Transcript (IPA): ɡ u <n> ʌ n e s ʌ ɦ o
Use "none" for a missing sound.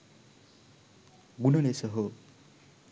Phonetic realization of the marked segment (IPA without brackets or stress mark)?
n